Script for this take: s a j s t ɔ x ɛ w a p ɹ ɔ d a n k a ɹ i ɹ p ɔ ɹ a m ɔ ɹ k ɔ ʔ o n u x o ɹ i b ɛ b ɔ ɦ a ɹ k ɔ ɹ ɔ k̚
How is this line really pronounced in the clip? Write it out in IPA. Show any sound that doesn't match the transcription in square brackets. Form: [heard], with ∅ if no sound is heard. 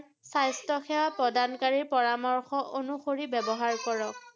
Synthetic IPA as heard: s a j s t ɔ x ɛ w a p ɹ ɔ d a n k a ɹ i ɹ p ɔ ɹ a m ɔ ɹ [x] ɔ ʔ o n u x o ɹ i b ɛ b ɔ ɦ a ɹ k ɔ ɹ ɔ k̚